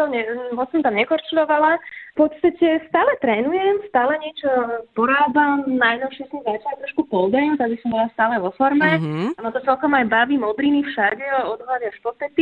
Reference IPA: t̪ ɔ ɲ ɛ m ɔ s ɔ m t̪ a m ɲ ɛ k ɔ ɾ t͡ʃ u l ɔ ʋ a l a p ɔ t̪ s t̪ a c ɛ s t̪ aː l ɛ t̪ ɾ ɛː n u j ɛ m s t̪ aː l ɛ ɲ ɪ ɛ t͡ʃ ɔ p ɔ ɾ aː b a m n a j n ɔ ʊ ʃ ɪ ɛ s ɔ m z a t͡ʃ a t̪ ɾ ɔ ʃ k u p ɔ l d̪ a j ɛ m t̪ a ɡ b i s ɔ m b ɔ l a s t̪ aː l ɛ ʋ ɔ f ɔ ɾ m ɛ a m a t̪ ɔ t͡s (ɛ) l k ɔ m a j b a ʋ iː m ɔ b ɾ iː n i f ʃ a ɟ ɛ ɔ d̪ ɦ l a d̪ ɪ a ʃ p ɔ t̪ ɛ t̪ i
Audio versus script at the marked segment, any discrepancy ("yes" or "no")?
no